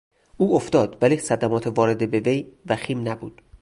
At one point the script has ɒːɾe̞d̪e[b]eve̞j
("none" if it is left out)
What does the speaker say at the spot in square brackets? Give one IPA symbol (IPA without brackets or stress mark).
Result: b